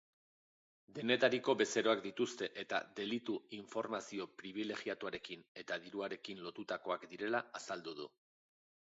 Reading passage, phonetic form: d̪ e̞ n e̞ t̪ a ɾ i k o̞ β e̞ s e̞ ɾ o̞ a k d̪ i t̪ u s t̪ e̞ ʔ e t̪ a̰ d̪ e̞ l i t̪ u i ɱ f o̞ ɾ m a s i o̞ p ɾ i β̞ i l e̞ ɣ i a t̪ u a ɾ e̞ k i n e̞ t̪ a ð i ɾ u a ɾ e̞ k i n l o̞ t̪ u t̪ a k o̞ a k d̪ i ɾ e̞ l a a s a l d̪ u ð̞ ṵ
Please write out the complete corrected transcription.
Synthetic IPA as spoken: d̪ e̞ n e̞ t̪ a ɾ i k o̞ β e̞ s e̞ ɾ o̞ a k d̪ i t̪ u s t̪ e̞ ʔ e t̪ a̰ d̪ e̞ l i t̪ u i ɱ f o̞ ɾ m a s i o̞ p ɾ i β̞ i l e̞ ɣ i a t̪ u a ɾ e̞ k i n e̞ t̪ a ð i ɾ u a ɾ e̞ k i n l o̞ t̪ u t̪ a k o̞ a k d̪ i ɾ e̞ l a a s a l d̪ u ð̞ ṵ